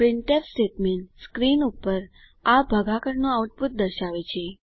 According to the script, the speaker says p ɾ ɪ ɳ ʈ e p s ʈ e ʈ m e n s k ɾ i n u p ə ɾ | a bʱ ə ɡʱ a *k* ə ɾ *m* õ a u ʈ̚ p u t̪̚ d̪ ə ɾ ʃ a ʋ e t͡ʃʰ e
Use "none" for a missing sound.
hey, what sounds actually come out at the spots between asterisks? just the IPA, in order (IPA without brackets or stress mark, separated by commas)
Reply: k, n